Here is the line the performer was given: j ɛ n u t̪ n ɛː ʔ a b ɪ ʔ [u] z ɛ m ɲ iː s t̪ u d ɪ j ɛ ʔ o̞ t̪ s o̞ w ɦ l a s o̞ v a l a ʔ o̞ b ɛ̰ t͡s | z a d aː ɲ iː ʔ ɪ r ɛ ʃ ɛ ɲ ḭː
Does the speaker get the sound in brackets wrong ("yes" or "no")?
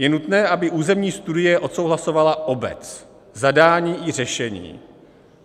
yes